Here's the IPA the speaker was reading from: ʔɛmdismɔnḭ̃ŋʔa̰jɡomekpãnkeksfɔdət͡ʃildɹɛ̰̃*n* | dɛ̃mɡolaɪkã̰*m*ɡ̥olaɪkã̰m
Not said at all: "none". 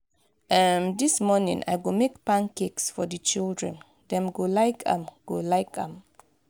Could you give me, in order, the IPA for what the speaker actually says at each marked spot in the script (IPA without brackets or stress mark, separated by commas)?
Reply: n, m